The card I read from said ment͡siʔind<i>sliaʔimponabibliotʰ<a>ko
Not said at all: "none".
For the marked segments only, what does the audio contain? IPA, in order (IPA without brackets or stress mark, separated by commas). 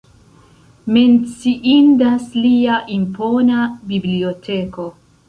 a, e